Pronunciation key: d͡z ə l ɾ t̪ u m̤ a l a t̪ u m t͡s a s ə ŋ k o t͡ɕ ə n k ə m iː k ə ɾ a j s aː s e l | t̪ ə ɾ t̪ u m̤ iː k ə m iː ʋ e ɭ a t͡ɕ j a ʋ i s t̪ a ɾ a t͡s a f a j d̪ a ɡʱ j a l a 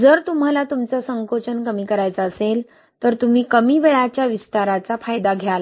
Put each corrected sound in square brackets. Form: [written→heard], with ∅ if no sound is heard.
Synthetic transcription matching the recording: d͡z ə [l→∅] ɾ t̪ u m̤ a l a t̪ u m t͡s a s ə ŋ k o t͡ɕ ə n k ə m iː k ə ɾ a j [s→t͡s] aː s e l | t̪ ə ɾ t̪ u m̤ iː k ə m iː ʋ e ɭ a t͡ɕ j a ʋ i s t̪ a ɾ a t͡s a f a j d̪ a ɡʱ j a l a